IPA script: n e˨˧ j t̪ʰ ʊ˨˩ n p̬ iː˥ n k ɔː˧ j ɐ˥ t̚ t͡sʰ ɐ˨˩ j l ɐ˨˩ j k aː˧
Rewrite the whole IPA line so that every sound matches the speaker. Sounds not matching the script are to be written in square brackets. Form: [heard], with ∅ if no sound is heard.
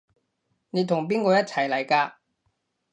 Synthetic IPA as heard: n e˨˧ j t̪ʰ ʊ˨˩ [ŋ] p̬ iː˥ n k ɔː˧ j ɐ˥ t̚ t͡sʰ ɐ˨˩ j l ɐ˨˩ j k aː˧